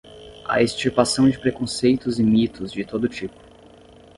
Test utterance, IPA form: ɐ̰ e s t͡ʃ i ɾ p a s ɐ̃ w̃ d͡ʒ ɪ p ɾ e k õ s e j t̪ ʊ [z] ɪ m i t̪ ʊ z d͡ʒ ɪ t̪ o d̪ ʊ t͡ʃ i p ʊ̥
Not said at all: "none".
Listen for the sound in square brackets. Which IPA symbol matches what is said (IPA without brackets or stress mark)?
z